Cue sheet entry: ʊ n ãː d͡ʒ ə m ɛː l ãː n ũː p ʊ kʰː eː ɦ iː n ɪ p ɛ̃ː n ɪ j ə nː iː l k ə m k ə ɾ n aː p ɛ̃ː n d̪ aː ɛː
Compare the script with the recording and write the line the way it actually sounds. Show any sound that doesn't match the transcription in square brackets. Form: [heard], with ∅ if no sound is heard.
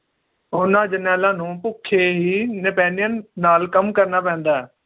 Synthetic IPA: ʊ n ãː d͡ʒ ə [n] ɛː l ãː n ũː p ʊ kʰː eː ɦ iː n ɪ p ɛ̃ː n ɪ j ə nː [aː] l k ə m k ə ɾ n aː p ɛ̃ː n d̪ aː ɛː